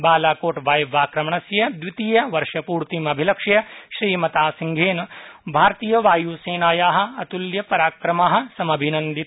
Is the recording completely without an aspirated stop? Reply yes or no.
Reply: yes